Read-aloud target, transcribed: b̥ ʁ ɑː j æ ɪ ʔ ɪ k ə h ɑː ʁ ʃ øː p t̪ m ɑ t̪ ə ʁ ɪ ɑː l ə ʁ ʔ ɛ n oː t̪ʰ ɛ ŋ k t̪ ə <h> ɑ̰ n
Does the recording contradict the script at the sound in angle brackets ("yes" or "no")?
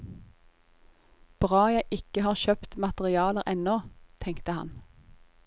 no